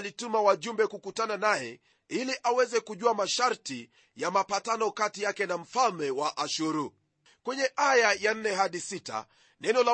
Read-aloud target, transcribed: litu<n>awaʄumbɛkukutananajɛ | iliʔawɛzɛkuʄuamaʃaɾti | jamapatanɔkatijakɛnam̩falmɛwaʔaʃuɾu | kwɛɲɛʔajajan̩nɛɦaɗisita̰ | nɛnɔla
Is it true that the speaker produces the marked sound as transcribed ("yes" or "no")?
no